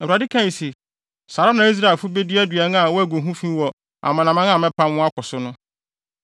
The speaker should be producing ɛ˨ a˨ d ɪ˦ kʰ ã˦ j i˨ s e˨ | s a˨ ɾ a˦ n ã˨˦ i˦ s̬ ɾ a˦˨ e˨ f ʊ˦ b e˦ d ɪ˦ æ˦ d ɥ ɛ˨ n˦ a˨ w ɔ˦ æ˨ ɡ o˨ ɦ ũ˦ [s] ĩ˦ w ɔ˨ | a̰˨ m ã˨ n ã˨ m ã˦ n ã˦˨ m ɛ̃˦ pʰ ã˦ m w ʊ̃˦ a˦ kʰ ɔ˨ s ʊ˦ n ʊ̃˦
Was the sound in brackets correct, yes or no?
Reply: no